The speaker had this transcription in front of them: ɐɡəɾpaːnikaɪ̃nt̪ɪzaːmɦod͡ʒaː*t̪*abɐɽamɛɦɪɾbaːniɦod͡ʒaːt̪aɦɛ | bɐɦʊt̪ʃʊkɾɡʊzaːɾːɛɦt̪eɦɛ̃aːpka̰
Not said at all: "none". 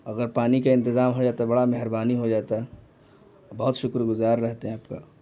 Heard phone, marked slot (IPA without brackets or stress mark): t̪